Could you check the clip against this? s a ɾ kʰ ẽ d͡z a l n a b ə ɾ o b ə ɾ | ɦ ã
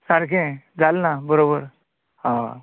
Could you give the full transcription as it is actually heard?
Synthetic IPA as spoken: s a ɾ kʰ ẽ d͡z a l n a b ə ɾ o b ə ɾ | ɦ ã